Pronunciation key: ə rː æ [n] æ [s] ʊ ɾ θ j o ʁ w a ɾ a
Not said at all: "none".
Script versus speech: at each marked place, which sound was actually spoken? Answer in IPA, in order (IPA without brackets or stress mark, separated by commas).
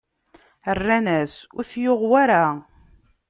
n, s